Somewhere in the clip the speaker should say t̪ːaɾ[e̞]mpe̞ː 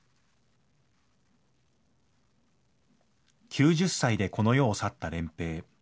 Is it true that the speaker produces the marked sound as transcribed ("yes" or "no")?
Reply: no